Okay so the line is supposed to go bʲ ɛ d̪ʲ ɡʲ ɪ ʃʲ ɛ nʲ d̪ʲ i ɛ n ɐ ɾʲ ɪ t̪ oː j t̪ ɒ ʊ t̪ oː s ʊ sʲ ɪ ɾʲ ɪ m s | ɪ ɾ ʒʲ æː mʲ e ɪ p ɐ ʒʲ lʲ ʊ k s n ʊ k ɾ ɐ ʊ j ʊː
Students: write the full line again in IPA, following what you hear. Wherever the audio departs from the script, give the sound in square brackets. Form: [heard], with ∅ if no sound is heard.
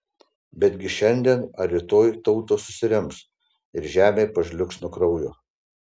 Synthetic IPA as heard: bʲ ɛ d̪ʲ ɡʲ ɪ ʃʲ ɛ nʲ d̪ʲ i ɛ n ɐ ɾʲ ɪ t̪ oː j t̪ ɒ ʊ t̪ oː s ʊ sʲ ɪ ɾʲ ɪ m s | ɪ ɾ ʒʲ æː mʲ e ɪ p ɐ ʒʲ lʲ ʊ k s n ʊ k ɾ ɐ ʊ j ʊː